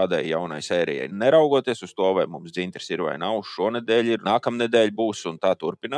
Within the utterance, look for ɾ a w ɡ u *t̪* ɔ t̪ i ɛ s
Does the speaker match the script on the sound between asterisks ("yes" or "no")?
no